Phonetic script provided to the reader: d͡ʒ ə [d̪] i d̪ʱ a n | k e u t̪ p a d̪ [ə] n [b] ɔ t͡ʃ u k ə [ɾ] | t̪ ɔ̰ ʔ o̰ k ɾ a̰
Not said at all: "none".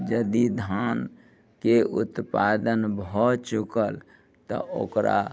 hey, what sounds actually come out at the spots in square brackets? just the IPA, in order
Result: d̪, ə, b, l

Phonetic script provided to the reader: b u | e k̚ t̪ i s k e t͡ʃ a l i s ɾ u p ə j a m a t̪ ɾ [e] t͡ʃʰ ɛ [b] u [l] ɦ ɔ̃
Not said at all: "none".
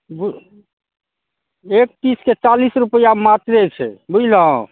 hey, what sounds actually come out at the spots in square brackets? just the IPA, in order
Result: e, b, l

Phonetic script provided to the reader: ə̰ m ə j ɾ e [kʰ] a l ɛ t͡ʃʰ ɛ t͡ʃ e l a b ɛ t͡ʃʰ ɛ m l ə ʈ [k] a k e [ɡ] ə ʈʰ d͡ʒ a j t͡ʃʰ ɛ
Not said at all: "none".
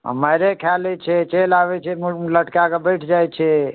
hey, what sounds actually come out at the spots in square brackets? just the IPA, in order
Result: kʰ, k, b

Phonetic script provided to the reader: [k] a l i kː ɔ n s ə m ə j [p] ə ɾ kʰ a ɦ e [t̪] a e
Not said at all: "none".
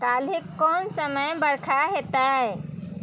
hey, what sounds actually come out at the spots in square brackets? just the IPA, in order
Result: k, b, t̪

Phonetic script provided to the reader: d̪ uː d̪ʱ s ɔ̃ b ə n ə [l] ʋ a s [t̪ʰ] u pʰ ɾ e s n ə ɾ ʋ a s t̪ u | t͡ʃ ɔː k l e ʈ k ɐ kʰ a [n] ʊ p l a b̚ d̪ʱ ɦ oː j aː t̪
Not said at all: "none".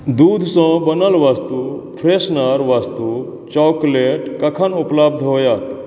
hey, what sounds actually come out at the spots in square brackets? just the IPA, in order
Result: l, t̪, n

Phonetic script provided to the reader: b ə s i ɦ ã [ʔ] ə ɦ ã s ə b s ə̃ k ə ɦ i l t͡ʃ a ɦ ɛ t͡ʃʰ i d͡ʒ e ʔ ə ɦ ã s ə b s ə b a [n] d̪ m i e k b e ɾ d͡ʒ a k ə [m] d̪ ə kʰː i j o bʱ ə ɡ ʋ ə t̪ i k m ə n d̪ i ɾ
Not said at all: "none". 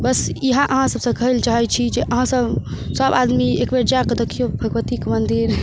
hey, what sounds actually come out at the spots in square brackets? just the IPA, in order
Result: ʔ, none, none

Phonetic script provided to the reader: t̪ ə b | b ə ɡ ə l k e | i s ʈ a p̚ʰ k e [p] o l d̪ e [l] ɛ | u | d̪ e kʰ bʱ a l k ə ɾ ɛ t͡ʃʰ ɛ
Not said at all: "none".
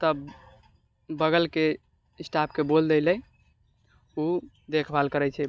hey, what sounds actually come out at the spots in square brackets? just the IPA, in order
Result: b, l

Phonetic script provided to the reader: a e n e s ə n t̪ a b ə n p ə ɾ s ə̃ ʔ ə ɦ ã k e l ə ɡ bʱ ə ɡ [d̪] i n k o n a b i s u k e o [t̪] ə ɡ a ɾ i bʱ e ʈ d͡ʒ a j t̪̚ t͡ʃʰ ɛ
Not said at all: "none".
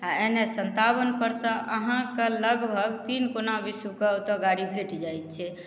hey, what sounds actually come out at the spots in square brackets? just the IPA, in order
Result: t̪, t̪

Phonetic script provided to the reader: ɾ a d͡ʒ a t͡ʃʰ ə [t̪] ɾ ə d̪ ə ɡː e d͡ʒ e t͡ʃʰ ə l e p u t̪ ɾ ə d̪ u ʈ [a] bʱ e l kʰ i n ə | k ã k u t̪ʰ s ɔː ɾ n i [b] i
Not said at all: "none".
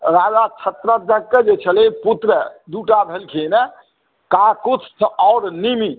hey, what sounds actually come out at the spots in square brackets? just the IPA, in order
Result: t̪, a, m

